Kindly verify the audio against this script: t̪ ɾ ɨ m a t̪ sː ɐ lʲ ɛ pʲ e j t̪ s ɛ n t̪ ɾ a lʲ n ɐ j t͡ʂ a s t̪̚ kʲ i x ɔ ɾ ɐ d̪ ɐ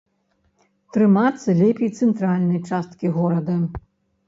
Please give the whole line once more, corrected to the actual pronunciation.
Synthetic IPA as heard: t̪ ɾ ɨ m a t̪ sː ɐ lʲ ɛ pʲ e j t̪ s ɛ n t̪ ɾ a lʲ n ɐ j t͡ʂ a s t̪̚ kʲ i ɣ ɔ ɾ ɐ d̪ ɐ